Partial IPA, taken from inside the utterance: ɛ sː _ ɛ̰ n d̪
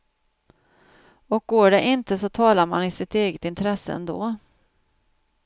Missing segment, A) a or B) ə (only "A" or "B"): B